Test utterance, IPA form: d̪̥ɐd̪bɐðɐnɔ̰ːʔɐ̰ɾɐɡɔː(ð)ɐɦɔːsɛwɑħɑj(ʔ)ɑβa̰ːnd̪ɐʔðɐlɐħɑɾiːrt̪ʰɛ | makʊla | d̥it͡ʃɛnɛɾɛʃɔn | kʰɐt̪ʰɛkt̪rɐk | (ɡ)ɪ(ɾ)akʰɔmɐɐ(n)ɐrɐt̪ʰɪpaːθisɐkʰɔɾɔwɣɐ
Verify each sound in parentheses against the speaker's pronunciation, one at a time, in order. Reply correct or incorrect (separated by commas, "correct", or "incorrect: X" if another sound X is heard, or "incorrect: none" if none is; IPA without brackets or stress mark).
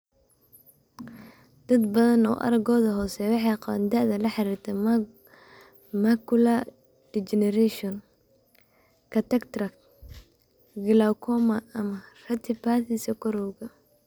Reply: correct, incorrect: q, correct, incorrect: l, incorrect: m